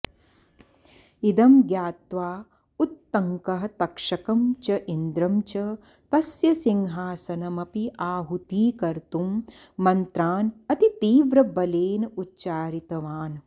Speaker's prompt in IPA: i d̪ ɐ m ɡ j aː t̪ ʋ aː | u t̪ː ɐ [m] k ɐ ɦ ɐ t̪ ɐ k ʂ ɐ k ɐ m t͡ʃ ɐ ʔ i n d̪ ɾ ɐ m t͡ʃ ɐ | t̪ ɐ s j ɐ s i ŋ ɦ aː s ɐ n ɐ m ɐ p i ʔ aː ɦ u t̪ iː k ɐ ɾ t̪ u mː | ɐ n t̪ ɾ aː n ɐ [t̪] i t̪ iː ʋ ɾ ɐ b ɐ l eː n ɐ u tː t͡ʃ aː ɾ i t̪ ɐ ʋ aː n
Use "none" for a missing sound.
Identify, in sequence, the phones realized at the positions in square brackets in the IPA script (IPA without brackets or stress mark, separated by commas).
ŋ, t̪